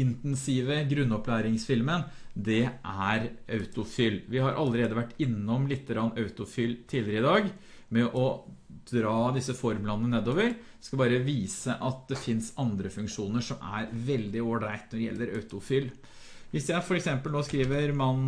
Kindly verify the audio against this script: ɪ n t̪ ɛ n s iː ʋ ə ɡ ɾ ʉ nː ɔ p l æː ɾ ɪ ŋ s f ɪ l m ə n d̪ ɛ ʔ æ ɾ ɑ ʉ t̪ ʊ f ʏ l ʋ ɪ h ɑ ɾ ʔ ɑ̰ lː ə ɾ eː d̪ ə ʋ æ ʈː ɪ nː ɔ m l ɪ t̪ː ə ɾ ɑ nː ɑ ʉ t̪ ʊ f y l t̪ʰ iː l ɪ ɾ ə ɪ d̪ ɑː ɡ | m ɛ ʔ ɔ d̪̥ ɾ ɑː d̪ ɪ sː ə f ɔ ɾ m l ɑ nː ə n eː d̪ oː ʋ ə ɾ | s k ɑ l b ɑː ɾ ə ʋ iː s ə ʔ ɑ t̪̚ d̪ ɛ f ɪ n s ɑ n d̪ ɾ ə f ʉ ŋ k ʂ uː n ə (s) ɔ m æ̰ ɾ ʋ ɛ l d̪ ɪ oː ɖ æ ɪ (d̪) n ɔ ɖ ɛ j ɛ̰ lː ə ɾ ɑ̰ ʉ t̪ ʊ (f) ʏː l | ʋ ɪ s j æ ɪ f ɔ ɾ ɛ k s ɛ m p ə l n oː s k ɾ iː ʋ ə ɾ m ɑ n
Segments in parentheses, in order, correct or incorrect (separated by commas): incorrect, incorrect, correct